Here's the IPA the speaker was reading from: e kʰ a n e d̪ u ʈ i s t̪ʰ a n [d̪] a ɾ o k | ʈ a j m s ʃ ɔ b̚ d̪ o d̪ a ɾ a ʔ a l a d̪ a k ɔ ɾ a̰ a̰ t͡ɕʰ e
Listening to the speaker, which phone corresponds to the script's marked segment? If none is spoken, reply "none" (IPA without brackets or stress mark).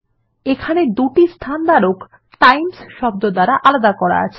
d̪